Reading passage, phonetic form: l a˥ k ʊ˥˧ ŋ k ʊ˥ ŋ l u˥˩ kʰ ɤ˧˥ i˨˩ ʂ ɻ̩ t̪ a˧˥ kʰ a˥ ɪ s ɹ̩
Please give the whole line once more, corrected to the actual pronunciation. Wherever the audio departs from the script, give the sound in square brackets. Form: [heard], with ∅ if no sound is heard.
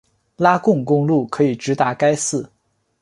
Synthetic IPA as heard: l a˥ k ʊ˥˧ ŋ k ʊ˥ ŋ l u˥˩ kʰ ɤ˧˥ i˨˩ [ʈ͡ʂ] ɻ̩ t̪ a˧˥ [k] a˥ ɪ s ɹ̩